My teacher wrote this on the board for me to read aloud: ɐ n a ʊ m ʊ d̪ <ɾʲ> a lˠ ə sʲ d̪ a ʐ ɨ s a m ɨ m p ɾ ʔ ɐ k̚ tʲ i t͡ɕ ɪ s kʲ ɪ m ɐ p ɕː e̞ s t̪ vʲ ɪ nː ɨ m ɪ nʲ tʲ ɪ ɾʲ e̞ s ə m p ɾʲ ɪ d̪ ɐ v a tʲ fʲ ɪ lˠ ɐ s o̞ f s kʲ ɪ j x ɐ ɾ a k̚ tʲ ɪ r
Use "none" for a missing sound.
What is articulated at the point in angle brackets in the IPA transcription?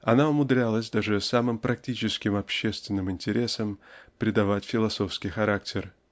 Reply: ɾʲ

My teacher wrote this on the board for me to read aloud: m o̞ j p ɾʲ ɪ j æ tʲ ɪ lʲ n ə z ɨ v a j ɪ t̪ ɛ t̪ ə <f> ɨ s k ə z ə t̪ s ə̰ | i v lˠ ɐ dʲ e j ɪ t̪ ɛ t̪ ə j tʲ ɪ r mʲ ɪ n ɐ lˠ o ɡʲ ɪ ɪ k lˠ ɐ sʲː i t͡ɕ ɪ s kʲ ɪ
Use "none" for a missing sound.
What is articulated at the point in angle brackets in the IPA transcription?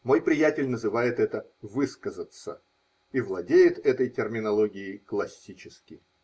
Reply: v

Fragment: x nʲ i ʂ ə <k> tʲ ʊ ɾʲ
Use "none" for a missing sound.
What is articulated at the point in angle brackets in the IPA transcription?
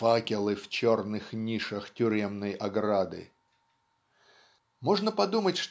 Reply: x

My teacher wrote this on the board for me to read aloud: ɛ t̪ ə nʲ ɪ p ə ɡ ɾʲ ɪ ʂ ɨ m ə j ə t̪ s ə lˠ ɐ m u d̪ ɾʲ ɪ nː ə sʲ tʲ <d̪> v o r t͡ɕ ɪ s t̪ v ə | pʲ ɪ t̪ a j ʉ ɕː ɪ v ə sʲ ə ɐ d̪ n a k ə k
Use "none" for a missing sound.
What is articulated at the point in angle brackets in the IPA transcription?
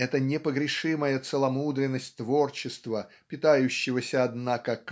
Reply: t̪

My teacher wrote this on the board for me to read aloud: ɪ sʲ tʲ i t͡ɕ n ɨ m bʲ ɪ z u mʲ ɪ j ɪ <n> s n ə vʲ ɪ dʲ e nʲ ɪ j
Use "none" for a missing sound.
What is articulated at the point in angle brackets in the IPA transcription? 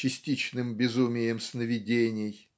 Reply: m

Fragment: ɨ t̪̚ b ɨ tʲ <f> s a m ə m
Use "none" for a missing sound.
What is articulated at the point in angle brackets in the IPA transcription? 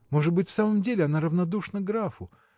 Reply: f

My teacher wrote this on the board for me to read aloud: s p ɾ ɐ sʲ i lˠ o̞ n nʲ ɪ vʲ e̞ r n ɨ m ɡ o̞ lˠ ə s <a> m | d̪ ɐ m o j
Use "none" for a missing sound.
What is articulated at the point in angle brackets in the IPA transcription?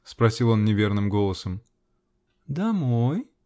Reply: ə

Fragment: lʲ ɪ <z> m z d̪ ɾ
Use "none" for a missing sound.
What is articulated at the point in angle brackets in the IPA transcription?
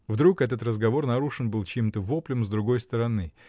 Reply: none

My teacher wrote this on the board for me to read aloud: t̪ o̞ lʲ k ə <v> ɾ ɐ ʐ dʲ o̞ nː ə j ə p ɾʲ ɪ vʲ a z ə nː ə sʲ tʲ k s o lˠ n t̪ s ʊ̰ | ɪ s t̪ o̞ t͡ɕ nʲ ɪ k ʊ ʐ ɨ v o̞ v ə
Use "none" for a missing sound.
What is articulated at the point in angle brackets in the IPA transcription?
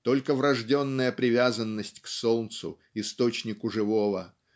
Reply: v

